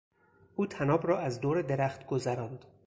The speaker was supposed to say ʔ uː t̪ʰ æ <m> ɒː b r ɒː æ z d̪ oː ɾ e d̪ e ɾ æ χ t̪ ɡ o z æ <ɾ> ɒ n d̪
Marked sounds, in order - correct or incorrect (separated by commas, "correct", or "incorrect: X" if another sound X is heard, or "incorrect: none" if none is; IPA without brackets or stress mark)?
incorrect: n, correct